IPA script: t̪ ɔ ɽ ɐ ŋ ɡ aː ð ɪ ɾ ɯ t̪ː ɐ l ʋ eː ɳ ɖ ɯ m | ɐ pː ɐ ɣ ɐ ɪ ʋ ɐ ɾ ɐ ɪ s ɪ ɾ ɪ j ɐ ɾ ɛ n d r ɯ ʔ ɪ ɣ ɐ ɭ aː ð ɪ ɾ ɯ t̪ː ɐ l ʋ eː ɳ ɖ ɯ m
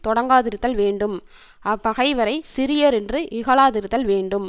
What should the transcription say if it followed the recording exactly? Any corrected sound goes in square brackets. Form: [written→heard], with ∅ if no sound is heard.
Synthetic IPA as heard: t̪ ɔ ɽ ɐ ŋ ɡ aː ð ɪ ɾ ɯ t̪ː ɐ l ʋ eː ɳ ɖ ɯ m | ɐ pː ɐ ɣ ɐ ɪ ʋ ɐ ɾ ɐ ɪ s ɪ ɾ ɪ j ɐ ɾ ɛ n d r ɯ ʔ ɪ ɣ ɐ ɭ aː ð ɪ ɾ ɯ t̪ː ɐ l ʋ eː ɳ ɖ ɯ m